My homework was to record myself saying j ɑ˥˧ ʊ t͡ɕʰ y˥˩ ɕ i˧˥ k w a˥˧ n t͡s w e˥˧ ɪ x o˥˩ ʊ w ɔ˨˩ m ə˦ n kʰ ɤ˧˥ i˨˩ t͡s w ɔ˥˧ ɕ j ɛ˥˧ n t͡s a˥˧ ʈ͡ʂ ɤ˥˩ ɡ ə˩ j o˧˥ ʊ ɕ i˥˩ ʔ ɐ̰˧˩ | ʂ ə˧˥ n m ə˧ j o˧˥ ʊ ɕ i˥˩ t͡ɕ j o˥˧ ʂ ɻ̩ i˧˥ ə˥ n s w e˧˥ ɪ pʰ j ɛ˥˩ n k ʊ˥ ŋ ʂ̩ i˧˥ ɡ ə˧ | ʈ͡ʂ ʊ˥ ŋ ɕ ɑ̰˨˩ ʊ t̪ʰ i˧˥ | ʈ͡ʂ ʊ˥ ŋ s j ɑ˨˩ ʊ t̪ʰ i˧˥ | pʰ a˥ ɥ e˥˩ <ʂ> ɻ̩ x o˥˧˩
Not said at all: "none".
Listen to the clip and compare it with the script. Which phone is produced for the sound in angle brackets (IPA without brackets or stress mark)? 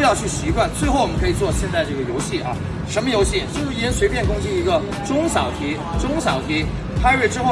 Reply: ʈ͡ʂ